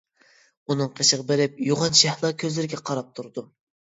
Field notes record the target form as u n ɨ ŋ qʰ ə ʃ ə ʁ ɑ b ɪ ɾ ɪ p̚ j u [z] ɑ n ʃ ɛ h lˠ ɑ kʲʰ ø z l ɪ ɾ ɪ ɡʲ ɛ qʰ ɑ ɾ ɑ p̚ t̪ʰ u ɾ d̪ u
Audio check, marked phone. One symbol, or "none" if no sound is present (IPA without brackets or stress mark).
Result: ʁ